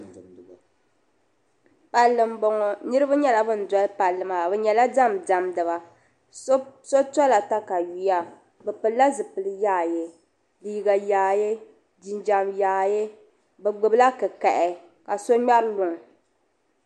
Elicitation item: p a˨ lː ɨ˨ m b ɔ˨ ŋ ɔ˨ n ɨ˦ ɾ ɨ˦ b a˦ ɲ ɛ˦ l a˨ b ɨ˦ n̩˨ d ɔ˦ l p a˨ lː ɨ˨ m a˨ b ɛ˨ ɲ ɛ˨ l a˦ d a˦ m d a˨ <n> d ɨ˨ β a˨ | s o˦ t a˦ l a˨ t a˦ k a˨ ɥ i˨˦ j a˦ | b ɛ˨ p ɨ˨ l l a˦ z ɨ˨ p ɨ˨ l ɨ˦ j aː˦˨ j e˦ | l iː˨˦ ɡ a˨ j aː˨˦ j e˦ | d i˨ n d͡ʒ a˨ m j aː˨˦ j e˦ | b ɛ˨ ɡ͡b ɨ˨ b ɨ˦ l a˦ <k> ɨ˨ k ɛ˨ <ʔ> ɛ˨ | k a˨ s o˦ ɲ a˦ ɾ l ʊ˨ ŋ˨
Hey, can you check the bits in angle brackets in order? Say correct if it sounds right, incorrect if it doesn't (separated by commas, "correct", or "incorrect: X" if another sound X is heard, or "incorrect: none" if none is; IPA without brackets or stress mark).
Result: incorrect: m, correct, correct